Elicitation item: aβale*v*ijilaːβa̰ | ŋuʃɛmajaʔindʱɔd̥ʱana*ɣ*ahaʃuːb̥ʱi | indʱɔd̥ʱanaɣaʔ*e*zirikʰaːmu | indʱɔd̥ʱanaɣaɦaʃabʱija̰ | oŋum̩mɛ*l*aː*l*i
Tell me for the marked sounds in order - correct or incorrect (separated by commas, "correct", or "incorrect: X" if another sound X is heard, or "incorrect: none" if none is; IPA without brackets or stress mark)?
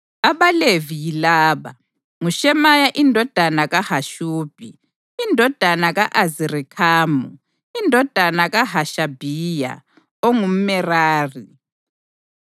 correct, correct, incorrect: a, incorrect: r, incorrect: r